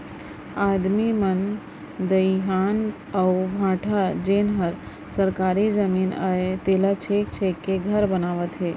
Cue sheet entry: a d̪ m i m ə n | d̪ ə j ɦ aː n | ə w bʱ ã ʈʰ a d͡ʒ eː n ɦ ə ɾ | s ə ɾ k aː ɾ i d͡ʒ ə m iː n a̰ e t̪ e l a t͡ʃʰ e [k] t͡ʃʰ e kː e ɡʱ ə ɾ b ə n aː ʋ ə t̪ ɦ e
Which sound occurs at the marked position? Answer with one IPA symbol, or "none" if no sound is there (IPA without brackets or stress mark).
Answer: k